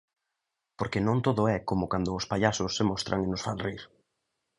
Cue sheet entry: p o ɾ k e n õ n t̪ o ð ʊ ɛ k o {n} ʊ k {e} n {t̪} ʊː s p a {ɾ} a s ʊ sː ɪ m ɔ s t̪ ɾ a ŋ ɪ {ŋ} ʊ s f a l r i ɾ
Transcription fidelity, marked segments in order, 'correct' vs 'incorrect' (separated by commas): incorrect, incorrect, incorrect, incorrect, incorrect